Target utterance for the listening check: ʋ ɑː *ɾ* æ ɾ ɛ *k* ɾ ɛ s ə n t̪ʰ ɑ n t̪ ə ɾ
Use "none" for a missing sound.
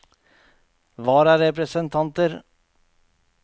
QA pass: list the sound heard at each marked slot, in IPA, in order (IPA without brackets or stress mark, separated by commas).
ɾ, p